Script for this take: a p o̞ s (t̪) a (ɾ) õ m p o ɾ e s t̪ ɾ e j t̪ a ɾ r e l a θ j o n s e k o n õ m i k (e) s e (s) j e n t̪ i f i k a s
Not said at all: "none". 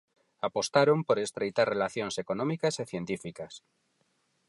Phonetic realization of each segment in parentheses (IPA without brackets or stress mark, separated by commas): t̪, ɾ, a, θ